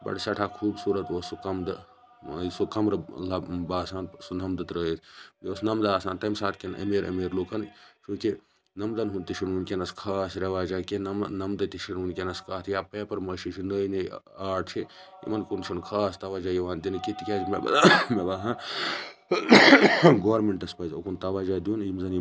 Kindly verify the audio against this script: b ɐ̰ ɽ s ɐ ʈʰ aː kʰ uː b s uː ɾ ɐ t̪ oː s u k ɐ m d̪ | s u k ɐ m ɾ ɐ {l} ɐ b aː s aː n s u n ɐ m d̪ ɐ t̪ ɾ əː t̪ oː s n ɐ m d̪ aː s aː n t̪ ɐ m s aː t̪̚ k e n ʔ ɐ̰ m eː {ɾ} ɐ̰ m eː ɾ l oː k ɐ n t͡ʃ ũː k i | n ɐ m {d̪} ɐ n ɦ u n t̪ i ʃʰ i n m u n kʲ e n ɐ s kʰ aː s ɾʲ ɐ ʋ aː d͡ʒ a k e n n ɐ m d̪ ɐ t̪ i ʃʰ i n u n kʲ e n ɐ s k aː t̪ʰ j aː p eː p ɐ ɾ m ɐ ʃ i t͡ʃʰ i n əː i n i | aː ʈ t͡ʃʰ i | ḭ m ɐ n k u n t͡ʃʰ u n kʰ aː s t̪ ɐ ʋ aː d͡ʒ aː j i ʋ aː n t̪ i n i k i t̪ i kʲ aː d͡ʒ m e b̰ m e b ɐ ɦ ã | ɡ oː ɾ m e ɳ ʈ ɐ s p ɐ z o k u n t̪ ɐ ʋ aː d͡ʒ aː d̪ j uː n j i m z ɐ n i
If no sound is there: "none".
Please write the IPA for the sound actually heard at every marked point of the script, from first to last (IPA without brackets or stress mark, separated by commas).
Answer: l, ɾ, d̪